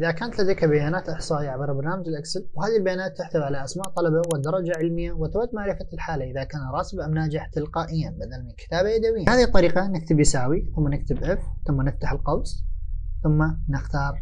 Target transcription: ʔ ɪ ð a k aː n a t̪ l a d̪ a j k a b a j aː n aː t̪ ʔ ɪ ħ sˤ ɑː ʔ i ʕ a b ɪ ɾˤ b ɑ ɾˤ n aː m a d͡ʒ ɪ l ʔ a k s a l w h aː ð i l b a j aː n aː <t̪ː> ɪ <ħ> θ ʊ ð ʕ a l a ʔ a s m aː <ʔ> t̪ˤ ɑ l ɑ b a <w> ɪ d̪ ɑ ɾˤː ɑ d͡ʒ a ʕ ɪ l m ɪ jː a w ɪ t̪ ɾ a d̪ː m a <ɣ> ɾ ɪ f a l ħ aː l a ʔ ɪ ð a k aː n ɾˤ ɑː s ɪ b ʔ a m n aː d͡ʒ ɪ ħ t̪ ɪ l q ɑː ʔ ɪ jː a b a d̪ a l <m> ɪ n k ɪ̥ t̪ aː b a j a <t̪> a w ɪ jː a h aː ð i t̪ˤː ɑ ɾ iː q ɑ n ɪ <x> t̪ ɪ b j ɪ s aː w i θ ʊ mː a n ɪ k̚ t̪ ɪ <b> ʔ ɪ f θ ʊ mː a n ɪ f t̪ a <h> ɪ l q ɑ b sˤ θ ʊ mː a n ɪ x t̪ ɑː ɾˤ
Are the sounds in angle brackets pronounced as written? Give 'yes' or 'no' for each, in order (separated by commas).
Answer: yes, yes, yes, yes, no, yes, no, no, yes, no